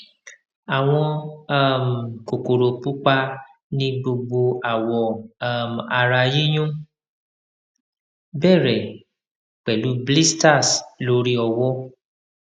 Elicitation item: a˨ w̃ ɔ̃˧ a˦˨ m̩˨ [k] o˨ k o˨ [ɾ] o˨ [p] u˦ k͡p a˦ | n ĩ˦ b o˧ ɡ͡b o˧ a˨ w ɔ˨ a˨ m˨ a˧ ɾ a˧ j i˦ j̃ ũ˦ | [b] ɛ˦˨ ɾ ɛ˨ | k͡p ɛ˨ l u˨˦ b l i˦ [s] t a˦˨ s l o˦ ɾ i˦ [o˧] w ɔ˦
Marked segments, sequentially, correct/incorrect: correct, correct, correct, correct, correct, incorrect

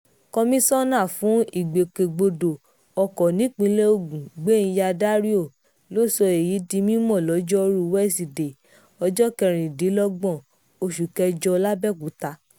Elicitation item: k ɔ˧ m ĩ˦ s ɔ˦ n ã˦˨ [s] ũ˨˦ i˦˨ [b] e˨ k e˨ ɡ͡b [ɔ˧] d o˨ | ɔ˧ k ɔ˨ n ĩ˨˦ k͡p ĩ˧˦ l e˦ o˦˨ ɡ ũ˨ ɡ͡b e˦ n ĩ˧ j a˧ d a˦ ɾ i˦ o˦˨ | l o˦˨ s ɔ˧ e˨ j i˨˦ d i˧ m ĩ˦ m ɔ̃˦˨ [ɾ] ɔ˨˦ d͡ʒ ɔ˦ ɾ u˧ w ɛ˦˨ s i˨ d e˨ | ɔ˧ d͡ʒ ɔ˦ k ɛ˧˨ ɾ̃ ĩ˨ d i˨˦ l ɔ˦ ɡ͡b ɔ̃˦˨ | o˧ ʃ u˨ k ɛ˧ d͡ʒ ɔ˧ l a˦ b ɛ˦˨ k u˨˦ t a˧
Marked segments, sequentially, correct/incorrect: incorrect, incorrect, incorrect, incorrect

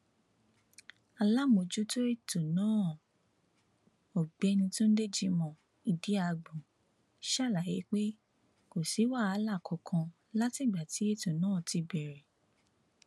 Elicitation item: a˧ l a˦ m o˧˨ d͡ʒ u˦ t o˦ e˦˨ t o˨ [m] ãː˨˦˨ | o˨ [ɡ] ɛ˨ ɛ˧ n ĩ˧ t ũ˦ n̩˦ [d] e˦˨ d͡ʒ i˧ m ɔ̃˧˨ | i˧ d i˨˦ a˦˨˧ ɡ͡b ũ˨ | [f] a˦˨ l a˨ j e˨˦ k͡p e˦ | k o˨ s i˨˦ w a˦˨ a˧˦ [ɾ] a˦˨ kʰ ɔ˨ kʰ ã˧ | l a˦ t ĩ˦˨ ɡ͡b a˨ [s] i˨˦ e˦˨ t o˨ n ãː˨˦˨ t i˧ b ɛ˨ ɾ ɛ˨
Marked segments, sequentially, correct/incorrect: incorrect, incorrect, correct, incorrect, incorrect, incorrect

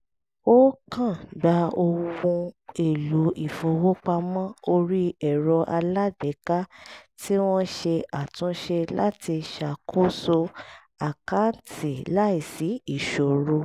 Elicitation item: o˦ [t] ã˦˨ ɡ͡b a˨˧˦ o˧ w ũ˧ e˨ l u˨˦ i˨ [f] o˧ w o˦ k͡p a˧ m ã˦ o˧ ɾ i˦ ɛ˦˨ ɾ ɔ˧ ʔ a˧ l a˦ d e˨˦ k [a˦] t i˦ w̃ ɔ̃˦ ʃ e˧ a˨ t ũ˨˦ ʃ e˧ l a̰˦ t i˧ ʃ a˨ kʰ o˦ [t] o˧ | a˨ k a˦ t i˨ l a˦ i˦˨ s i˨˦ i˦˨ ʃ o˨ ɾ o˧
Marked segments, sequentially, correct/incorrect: incorrect, correct, correct, incorrect

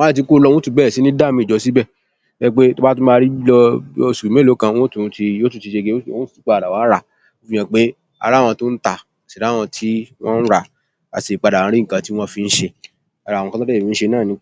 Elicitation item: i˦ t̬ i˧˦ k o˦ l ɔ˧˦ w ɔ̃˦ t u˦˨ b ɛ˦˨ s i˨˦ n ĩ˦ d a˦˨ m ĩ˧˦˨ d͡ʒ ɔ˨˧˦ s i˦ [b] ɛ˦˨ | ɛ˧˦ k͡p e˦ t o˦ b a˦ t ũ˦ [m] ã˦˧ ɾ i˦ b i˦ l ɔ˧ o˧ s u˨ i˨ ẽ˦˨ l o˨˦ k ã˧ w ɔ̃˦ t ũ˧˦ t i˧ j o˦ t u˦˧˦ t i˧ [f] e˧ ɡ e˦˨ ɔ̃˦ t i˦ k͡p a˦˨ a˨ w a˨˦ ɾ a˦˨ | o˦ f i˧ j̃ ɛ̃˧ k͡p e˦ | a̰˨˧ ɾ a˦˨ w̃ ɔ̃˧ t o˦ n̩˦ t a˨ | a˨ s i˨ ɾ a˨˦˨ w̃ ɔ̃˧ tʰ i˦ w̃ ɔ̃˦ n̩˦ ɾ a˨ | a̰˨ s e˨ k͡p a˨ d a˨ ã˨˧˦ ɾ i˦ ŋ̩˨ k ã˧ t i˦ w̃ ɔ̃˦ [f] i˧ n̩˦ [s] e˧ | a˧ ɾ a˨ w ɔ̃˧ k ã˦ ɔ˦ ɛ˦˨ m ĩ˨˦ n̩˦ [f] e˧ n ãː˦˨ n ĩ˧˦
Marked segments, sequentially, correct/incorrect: correct, correct, incorrect, correct, incorrect, incorrect

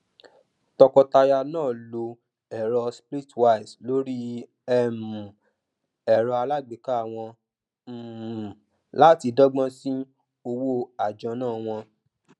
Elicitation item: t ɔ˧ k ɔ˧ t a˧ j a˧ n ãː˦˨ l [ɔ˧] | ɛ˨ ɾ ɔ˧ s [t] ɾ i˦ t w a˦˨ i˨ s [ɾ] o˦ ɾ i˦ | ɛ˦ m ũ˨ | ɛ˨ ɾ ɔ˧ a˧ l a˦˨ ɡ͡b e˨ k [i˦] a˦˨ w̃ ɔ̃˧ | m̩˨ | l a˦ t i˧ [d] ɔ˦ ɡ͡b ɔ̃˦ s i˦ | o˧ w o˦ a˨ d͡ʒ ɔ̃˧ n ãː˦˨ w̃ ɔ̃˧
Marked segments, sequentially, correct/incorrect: incorrect, incorrect, incorrect, incorrect, correct

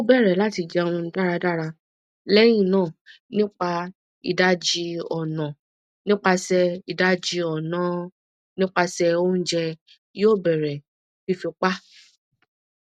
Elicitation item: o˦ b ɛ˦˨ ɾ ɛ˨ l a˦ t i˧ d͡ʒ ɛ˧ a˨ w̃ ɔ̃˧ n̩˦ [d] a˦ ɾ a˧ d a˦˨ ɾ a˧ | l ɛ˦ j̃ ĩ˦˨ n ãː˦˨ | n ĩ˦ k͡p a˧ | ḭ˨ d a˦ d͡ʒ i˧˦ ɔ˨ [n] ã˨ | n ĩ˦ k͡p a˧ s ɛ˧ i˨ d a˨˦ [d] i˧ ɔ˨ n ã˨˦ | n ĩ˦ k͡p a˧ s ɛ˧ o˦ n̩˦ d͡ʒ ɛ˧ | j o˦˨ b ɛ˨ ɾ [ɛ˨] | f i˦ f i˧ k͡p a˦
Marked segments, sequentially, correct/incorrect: correct, correct, incorrect, correct

